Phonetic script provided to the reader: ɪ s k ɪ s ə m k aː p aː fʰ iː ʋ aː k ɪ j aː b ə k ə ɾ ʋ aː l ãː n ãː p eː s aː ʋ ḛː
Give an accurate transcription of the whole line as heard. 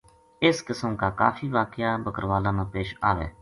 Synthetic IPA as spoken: ɪ s k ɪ s ə m k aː k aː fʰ iː ʋ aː k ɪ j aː b ə k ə ɾ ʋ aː l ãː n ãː p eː ʃ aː ʋ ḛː